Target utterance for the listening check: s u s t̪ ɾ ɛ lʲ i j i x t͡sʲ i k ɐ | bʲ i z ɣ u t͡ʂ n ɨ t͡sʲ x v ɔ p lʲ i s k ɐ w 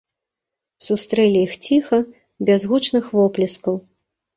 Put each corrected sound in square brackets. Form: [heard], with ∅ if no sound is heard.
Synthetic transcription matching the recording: s u s t̪ ɾ ɛ lʲ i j i x t͡sʲ i [x] ɐ | bʲ [a] z ɣ u t͡ʂ n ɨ [∅] x v ɔ p lʲ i s k ɐ w

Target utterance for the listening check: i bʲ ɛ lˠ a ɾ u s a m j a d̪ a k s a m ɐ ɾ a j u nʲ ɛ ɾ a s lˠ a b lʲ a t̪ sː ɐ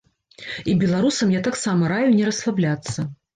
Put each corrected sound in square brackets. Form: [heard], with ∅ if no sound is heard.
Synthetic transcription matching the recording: i bʲ ɛ lˠ a ɾ u s [ɐ] m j a [t̪] a k s a m ɐ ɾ a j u nʲ ɛ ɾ [ɐ] s lˠ a b lʲ a t̪ sː ɐ

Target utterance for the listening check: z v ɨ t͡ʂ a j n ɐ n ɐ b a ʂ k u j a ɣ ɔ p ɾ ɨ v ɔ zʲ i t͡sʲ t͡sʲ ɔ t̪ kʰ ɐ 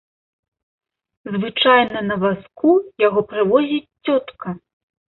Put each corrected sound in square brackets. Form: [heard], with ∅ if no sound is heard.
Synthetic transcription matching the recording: z v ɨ t͡ʂ a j n ɐ n ɐ [v] a [s] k u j a ɣ ɔ p ɾ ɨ v ɔ zʲ i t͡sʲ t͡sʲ ɔ t̪ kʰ ɐ

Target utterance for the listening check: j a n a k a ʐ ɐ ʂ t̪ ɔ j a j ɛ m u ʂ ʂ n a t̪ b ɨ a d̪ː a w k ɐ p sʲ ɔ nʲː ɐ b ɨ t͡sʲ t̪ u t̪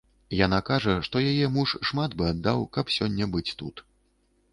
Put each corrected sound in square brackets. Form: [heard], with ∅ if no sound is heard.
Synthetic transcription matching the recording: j a n a k a ʐ ɐ ʂ t̪ ɔ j a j ɛ m u ʂ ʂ [m] a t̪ b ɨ a d̪ː a w k ɐ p sʲ ɔ nʲː ɐ b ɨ t͡sʲ t̪ u t̪

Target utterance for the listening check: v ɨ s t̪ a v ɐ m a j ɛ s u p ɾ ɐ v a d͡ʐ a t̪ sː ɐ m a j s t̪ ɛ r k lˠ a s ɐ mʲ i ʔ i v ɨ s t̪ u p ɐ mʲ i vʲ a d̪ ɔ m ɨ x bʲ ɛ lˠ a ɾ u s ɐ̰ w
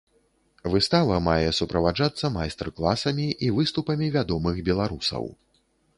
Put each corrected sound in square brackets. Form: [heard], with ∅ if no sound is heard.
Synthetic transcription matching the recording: v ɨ s t̪ a v ɐ m a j ɛ s u p ɾ ɐ v a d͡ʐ a t̪ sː ɐ m a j s t̪ ɛ r k lˠ a s ɐ mʲ i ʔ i v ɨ s t̪ u p ɐ mʲ i vʲ a d̪ ɔ m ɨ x bʲ ɛ lˠ a ɾ u s ɐ̰ w

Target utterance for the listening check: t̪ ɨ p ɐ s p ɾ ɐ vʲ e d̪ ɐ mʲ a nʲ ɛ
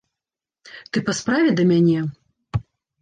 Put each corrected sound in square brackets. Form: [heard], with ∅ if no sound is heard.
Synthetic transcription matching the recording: t̪ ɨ p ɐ s p ɾ [a] vʲ [ɛ] d̪ ɐ mʲ a nʲ ɛ

